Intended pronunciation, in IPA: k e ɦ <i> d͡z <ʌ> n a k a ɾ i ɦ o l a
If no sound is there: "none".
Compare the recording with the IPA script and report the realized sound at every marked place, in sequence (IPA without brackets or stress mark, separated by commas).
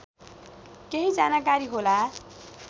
i, a